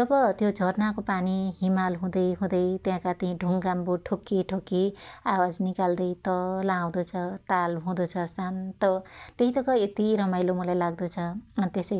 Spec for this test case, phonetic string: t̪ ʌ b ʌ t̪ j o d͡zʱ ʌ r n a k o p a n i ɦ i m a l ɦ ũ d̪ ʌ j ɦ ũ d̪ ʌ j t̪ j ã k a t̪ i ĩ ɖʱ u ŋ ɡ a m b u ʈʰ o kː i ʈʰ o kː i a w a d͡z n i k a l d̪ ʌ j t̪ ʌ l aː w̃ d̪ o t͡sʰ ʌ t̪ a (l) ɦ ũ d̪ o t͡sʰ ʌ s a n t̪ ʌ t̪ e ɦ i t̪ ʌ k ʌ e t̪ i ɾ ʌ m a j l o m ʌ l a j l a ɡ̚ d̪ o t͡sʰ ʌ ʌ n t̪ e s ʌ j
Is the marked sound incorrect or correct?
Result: correct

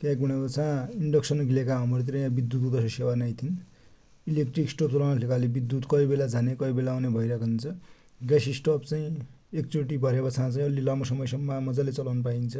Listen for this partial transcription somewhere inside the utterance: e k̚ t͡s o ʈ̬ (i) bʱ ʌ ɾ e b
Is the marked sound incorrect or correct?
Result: correct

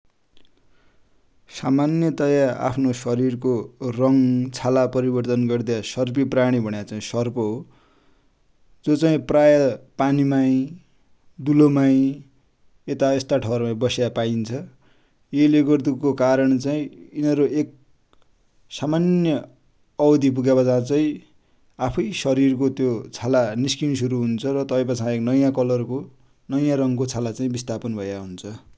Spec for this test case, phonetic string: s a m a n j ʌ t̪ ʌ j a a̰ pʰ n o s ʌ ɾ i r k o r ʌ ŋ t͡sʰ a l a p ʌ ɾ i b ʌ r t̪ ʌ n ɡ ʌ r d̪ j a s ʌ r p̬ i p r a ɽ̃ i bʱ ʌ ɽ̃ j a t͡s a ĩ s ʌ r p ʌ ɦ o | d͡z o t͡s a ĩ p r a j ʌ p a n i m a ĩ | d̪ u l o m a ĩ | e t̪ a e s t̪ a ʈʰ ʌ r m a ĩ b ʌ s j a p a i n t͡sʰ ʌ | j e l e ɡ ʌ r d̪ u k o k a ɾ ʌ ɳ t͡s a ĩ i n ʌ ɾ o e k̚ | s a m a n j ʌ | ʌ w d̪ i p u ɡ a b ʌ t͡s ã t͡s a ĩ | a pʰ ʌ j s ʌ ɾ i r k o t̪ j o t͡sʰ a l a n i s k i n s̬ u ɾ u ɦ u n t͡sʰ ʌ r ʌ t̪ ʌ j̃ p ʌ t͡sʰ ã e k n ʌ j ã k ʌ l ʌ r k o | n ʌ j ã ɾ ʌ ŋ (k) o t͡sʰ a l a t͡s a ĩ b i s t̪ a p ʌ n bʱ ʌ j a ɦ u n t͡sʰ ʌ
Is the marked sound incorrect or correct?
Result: correct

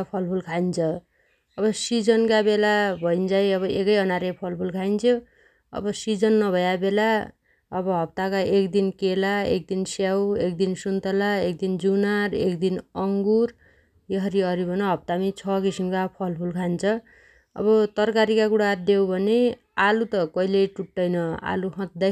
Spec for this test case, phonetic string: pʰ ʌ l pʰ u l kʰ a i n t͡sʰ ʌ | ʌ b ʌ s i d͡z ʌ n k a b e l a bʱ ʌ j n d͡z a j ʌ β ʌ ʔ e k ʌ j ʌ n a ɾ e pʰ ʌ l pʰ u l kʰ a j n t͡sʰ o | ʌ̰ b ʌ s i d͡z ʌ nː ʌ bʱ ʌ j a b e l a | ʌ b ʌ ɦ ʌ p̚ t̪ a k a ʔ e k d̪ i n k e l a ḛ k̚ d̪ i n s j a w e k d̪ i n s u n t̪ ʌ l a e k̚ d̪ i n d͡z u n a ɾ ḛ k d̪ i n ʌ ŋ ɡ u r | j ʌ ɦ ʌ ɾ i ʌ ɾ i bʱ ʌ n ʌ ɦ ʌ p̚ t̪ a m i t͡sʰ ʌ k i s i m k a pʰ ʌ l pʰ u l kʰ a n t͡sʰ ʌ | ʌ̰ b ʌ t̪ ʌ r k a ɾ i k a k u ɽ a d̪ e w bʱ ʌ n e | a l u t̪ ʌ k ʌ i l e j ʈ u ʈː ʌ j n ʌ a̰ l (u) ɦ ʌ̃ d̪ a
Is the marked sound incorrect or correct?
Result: correct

